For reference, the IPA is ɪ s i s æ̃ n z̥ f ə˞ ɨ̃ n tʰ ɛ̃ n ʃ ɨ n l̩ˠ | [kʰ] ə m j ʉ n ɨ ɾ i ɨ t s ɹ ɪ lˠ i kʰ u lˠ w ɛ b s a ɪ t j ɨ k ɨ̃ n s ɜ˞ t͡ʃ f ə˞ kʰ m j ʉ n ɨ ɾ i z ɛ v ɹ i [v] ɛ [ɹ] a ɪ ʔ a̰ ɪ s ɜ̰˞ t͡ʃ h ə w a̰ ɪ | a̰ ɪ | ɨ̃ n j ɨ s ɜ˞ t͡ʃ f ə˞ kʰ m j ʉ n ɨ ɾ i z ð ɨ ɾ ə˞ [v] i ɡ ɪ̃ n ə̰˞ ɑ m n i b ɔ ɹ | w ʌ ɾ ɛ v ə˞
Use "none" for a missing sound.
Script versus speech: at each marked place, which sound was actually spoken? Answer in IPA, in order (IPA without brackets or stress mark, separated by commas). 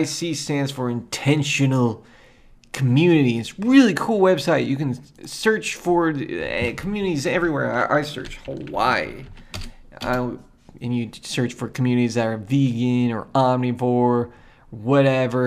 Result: kʰ, w, ɹ, v